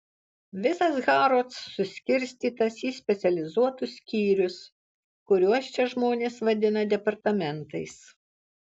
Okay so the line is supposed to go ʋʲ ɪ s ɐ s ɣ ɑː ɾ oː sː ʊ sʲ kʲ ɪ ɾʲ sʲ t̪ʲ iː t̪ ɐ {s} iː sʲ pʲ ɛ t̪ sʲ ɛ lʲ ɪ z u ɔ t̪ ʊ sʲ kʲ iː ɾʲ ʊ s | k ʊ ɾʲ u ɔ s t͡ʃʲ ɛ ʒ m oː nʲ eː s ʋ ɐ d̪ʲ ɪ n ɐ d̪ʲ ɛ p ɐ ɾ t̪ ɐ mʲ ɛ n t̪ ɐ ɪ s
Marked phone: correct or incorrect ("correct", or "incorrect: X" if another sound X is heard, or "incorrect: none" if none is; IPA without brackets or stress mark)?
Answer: correct